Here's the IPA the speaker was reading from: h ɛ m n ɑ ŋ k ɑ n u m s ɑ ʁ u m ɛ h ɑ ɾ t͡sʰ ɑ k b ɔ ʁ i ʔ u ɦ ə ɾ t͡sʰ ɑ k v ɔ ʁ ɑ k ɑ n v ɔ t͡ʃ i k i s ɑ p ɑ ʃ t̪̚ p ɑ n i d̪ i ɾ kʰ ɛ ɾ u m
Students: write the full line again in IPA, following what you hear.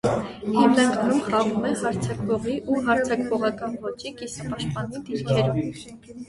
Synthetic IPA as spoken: h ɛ m n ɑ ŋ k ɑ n u m χ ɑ ʁ u m ɛ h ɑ ɾ t͡sʰ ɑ k v ɔ ʁ i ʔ u ɦ ɑ ɾ t͡sʰ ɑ k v ɔ ʁ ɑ k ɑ n v ɔ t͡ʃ i k i s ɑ p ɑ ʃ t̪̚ p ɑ n i d̪ i ɾ kʰ ɛ ɾ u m